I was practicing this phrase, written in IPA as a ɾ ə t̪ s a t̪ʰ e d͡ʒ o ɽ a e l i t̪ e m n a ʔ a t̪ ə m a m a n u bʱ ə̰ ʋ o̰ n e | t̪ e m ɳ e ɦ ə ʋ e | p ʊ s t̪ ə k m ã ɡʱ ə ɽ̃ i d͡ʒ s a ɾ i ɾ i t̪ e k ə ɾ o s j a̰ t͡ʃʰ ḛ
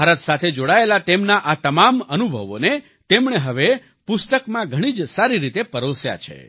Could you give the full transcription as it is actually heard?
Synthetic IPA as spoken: a ɾ ə t̪ s a t̪ʰ e d͡ʒ o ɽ a e l a t̪ e m n a ʔ a t̪ ə m a m ə n u bʱ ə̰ ʋ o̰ n e | t̪ e m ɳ e ɦ ə ʋ e | p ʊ s t̪ ə k m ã ɡʱ ə ɽ̃ i d͡ʒ s a ɾ i ɾ i t̪ e p ə ɾ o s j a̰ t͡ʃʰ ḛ